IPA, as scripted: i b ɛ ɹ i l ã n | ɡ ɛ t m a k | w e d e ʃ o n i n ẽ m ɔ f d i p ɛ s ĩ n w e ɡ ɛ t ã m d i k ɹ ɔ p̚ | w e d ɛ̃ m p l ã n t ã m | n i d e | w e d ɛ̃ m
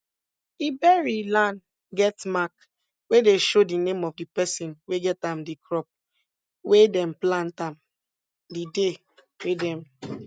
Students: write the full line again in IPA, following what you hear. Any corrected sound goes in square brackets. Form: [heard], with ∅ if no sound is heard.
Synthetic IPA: i b ɛ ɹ i l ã n | ɡ ɛ t m a k | w e d e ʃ o [d] i n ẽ m ɔ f d i p ɛ s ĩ n w e ɡ ɛ t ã m d i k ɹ ɔ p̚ | w e d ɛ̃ m p l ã n t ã m | [d] i d e | w e d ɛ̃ m